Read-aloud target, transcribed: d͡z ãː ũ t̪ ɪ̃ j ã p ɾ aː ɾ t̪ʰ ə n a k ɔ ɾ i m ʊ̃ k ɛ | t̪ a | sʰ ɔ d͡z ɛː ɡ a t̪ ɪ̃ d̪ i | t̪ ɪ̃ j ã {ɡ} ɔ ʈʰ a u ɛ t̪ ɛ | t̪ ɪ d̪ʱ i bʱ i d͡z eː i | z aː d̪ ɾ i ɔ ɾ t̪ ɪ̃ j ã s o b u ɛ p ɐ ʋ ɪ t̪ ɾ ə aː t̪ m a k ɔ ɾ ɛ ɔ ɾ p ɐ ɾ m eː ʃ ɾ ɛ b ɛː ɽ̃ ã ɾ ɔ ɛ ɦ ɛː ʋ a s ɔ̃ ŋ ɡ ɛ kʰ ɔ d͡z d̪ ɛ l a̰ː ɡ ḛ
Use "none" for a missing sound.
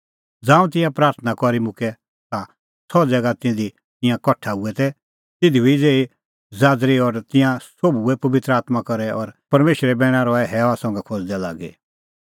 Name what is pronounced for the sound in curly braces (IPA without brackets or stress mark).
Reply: k